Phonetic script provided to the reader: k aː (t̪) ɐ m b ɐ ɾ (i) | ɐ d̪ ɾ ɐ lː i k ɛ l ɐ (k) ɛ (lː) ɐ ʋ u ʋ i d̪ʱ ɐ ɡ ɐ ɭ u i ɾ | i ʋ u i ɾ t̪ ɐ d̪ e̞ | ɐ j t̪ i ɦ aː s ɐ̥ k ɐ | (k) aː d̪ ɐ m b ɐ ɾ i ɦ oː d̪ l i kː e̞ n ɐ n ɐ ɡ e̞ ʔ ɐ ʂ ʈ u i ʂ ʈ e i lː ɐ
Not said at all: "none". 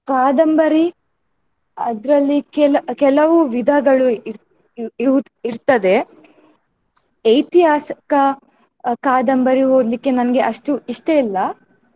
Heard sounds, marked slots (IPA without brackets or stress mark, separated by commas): d̪, i, k, l, k